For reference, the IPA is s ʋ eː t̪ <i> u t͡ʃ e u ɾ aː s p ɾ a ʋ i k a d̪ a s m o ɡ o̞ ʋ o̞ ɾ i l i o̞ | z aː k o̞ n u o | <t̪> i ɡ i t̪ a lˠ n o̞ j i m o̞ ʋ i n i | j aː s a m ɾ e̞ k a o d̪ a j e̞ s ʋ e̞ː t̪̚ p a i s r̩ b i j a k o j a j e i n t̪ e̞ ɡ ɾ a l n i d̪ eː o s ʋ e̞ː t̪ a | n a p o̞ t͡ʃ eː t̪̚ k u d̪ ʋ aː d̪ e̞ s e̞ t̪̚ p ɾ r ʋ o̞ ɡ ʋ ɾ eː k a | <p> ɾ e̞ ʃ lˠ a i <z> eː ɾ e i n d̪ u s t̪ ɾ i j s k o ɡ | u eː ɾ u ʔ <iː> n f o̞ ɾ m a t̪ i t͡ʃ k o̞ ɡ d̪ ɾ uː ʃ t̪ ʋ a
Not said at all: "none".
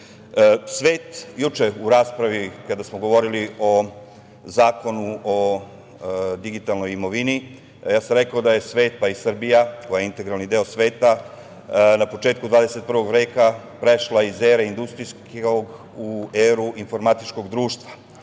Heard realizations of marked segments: j, d̪, p, z, i

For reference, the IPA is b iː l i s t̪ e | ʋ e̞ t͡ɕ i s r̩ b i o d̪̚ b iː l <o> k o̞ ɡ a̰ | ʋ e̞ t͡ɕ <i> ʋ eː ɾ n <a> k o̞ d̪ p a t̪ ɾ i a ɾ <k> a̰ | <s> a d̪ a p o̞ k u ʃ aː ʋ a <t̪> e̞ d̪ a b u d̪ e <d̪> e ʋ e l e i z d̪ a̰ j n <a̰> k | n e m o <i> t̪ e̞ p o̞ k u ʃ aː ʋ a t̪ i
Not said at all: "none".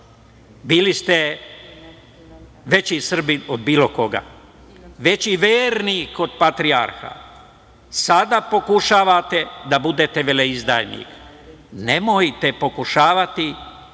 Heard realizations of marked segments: o, i, i, x, s, t̪, t̪, ḭ, j

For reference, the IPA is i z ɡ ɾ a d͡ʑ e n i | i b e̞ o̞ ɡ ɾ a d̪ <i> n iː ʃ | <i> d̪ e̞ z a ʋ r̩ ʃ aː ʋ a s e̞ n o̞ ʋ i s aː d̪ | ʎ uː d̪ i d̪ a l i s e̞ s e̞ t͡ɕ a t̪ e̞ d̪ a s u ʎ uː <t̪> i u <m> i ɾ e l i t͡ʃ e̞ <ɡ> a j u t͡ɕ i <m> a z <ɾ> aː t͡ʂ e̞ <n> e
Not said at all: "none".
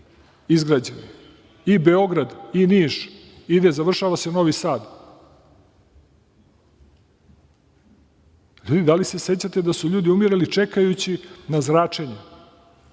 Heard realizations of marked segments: i, i, d̪, m, k, n, ɾ, ɲ

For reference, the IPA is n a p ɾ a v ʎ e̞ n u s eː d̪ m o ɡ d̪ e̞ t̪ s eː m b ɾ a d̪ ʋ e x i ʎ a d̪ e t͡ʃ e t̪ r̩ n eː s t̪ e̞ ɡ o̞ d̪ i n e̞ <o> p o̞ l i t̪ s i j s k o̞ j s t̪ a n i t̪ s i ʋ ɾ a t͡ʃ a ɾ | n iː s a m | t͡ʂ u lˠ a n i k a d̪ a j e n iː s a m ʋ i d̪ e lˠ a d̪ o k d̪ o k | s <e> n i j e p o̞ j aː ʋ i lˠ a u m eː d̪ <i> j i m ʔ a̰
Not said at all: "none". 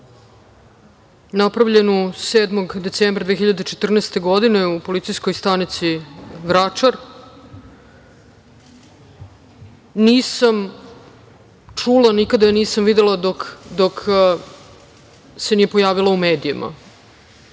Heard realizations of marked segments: u, e, i

